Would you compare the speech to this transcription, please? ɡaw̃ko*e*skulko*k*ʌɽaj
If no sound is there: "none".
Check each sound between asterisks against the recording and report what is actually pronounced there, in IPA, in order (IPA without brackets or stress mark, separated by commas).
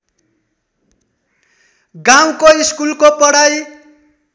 i, p